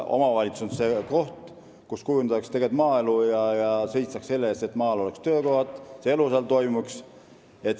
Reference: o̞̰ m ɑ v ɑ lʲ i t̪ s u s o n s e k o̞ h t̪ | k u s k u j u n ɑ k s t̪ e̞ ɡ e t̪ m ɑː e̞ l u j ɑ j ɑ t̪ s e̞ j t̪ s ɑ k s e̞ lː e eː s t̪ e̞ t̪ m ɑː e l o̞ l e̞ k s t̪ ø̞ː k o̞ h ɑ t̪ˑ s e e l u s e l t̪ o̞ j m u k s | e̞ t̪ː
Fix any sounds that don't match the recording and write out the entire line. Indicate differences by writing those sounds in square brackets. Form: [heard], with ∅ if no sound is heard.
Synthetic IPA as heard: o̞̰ m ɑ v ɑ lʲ i t̪ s u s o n s e k o̞ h t̪ | k u s k u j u n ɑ k s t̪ e̞ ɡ e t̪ m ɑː e̞ l u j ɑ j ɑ [∅] s e̞ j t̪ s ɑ k s e̞ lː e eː s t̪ e̞ t̪ m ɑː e l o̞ l e̞ k s t̪ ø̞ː k o̞ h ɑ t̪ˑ s e e l u s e l t̪ o̞ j m u k s | e̞ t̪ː